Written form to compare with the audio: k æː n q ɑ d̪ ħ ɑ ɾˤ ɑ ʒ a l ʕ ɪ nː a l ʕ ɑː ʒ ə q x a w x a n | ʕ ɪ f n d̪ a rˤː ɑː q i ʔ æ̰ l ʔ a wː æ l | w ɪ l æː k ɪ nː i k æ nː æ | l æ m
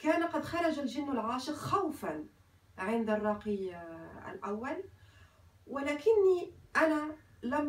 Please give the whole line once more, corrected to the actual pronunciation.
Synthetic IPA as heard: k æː n q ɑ d̪ x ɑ ɾˤ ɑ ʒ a l ʒ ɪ nː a l ʕ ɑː ʃ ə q x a w f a n | ʕ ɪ n d̪ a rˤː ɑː q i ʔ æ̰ l ʔ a wː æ l | w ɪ l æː k ɪ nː i ʔ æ n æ | l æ m